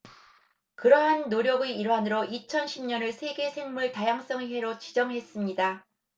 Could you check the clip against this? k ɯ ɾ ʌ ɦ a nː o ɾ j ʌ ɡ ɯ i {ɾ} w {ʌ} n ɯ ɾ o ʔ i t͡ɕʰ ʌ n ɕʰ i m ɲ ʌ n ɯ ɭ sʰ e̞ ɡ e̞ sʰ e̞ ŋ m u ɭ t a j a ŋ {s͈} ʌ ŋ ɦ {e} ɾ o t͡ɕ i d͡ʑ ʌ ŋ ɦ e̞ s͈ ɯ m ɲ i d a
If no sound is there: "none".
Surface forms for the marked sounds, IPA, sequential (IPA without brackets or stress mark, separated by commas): ɾ, a, s͈, e